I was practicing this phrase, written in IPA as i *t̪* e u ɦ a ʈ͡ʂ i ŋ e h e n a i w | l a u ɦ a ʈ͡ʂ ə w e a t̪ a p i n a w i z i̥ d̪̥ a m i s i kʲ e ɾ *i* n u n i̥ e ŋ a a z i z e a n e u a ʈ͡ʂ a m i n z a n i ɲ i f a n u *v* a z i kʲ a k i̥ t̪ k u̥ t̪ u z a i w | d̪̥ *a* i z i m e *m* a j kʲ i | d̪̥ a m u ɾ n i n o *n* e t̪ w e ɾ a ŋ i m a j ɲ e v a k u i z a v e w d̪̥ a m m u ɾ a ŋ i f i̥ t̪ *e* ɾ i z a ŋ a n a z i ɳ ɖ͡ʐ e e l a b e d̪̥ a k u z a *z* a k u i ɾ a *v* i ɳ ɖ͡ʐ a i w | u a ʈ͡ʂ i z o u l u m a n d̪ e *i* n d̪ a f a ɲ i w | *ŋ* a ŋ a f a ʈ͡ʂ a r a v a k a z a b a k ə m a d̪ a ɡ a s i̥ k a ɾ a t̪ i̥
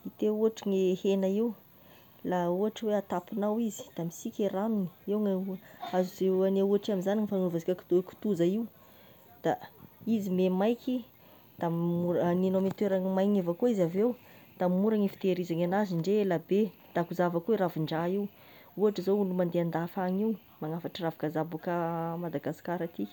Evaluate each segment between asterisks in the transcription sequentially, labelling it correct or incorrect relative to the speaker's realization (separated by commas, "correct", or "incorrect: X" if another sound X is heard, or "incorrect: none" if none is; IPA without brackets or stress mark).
correct, incorrect: a, correct, correct, correct, incorrect: m, correct, incorrect: v, correct, incorrect: a, incorrect: m